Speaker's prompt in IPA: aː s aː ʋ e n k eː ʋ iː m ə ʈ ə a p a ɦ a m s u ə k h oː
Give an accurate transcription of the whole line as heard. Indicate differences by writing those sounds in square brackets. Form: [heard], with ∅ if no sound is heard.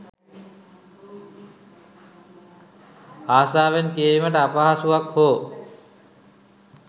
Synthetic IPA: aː s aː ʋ e n k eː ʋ [i] m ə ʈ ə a p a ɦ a [∅] s u [a] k h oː